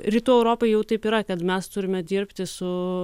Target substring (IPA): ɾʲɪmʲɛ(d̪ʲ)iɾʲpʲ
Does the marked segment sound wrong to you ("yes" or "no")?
no